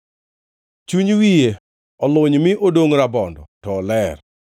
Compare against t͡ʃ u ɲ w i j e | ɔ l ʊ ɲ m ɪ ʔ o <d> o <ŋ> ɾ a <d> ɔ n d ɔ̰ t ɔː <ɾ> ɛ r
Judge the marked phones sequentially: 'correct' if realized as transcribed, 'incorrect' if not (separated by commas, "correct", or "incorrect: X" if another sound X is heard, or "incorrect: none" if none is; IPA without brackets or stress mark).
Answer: correct, correct, incorrect: b, incorrect: l